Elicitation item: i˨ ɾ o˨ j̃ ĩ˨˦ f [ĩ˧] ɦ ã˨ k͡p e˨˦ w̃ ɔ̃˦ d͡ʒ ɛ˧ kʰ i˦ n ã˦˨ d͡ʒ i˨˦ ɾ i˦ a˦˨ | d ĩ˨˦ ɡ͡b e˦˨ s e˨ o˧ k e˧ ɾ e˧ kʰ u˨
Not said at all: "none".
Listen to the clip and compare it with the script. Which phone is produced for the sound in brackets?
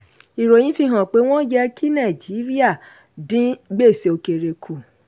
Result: i˧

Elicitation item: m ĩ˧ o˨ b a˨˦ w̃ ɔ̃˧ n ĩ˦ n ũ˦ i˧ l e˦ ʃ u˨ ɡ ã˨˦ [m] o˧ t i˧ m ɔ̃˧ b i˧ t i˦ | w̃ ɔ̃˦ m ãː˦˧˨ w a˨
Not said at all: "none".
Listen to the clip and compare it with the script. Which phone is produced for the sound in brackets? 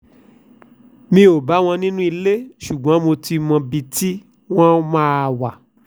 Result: m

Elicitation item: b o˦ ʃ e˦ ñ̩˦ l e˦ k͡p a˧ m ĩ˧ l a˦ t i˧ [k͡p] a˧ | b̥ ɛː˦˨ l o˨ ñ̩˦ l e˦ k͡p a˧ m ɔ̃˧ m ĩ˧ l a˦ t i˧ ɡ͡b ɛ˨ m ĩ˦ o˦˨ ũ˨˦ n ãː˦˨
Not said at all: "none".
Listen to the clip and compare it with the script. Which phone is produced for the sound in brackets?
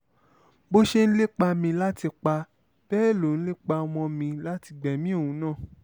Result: k͡p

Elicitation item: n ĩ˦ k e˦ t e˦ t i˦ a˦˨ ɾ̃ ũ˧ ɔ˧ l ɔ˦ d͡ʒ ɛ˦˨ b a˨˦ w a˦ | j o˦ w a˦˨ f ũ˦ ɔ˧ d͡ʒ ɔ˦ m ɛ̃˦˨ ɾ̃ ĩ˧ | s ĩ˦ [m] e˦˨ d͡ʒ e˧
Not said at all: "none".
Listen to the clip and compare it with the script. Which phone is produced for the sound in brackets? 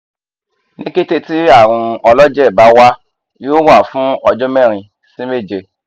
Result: m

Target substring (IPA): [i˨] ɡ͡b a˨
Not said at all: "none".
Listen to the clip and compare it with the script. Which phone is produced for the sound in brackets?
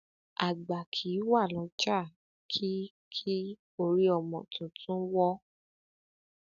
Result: a˨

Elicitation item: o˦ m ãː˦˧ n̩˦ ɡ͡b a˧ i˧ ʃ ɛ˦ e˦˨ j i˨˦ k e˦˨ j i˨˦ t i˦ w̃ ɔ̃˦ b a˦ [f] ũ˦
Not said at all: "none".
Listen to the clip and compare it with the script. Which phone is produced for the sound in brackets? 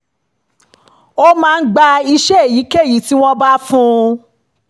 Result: f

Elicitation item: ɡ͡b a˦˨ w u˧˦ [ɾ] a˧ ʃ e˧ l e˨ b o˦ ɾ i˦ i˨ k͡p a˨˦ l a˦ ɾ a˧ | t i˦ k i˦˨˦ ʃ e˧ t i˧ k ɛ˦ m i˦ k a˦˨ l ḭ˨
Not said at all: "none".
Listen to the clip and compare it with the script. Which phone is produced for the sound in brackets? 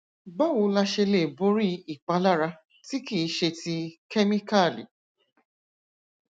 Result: l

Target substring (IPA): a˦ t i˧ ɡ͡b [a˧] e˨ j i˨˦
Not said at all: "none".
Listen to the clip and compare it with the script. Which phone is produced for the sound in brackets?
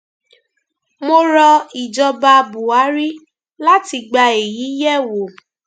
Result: a˧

